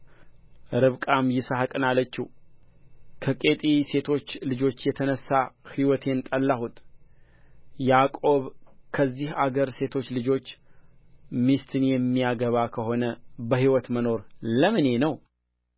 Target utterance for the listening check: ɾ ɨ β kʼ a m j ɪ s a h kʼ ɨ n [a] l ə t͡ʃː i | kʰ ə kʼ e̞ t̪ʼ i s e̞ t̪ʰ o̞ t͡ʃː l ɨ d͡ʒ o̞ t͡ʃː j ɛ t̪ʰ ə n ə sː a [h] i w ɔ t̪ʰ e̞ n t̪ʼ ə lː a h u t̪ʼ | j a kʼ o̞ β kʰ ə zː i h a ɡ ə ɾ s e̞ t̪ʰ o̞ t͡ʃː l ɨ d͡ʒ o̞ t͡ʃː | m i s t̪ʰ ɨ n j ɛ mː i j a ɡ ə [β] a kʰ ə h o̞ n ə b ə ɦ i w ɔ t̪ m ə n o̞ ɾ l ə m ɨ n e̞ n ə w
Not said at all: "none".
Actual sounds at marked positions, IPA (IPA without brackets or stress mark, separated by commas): a, h, β